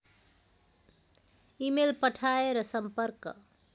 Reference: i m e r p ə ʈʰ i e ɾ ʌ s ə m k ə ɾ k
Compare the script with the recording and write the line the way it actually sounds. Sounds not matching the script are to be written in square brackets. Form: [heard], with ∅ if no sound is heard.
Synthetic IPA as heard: i m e [l] p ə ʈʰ [a] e ɾ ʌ s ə m [p] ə ɾ k